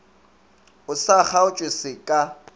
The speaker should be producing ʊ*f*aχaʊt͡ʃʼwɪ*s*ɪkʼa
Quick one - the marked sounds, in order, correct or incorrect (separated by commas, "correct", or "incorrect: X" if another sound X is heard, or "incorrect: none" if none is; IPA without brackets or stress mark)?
incorrect: s, correct